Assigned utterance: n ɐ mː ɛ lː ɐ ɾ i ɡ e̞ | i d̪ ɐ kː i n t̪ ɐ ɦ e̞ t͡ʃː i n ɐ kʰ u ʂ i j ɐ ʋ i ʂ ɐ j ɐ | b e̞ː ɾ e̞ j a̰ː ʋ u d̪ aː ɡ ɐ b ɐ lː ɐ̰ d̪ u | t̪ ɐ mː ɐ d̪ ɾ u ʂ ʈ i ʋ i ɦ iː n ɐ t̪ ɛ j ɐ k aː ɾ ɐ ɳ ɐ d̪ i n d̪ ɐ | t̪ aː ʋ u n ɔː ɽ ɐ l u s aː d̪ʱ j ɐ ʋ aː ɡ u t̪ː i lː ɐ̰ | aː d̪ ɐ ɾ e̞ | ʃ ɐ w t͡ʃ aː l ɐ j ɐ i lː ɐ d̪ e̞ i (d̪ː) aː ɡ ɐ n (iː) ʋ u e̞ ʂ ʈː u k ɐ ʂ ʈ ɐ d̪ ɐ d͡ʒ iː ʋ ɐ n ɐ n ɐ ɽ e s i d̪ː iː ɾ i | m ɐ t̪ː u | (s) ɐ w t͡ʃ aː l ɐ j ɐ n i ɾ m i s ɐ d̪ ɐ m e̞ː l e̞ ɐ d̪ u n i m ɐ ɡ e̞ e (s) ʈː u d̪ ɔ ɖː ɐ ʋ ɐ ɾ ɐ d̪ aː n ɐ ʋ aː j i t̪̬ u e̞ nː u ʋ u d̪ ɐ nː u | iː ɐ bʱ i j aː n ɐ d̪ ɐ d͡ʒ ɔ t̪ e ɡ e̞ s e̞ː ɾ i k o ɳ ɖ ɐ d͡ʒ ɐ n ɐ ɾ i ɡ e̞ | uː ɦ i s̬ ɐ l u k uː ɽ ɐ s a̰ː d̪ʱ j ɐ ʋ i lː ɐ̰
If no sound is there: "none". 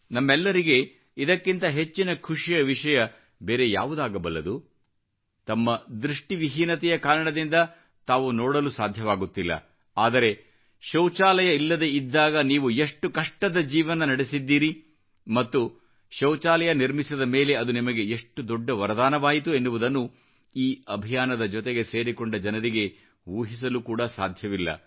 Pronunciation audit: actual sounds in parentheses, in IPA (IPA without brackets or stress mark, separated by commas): d̪ː, iː, ʃ, ʂ